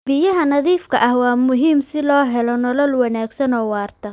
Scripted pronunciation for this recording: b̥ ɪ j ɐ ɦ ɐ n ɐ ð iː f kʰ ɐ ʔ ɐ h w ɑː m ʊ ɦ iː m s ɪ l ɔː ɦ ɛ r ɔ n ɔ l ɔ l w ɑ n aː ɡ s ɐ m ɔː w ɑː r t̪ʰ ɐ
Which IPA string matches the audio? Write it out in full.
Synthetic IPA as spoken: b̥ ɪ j ɐ ɦ ɐ n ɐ ð iː f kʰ ɐ ʔ ɐ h w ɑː m ʊ ɦ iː m s ɪ l ɔː ɦ ɛ l ɔ n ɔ l ɔ l w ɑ n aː ɡ s ɐ n ɔː w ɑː r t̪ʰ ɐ

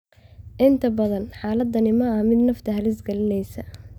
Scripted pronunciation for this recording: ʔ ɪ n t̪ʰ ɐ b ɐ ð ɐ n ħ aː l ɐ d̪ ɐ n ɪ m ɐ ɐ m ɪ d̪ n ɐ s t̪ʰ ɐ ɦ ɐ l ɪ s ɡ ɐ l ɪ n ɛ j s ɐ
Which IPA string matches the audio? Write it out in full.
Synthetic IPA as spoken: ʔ ɪ n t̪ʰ ɐ b ɐ ð ɐ n ħ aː l ɐ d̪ ɐ n ɪ m ɐ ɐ m ɪ d̪ n ɐ f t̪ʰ ɐ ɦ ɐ l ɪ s ɡ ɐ l ɪ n ɛ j s ɐ

